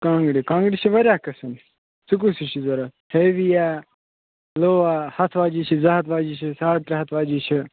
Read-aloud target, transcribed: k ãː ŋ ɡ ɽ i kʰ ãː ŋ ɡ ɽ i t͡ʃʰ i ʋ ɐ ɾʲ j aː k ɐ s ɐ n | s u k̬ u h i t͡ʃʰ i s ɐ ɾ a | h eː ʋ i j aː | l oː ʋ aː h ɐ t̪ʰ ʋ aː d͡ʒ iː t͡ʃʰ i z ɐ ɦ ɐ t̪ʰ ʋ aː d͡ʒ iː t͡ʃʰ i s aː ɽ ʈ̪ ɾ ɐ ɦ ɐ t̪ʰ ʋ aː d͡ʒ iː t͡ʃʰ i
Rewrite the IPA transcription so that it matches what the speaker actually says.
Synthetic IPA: k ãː ŋ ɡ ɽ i k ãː ŋ ɡ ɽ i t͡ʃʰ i ʋ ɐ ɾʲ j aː k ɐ s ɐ n | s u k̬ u s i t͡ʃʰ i z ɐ ɾ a | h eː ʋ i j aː | l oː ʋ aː h ɐ t̪ʰ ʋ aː d͡ʒ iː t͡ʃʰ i z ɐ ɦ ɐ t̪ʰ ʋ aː d͡ʒ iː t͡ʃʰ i s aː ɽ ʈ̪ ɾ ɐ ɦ ɐ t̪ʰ ʋ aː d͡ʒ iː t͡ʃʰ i